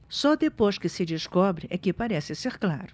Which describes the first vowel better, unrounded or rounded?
rounded